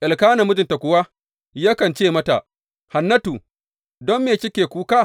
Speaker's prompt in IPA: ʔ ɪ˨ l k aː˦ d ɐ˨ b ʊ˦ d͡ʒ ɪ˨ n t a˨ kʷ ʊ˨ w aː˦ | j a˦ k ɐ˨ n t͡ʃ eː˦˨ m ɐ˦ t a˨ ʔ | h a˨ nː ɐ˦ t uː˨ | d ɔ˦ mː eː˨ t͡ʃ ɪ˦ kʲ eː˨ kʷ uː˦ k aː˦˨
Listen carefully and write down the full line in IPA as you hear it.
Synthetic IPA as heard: ʔ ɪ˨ l k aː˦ n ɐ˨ m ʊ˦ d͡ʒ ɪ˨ n t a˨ kʷ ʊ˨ w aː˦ | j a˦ k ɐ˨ n t͡ʃ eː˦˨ m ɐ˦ t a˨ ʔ | h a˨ nː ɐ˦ t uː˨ | d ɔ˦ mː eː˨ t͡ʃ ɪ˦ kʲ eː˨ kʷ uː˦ k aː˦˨